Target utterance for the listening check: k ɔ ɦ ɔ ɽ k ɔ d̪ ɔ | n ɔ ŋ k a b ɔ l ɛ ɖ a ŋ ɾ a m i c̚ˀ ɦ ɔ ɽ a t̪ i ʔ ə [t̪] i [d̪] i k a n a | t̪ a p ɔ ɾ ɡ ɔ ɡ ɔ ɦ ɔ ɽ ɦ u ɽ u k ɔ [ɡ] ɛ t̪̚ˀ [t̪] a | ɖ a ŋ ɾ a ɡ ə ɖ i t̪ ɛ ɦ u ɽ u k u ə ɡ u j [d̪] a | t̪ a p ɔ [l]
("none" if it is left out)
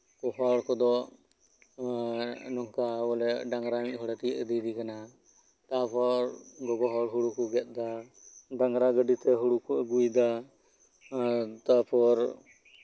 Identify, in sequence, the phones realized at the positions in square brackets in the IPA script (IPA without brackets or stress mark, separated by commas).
d̪, d̪, ɡ, d̪, d̪, ɾ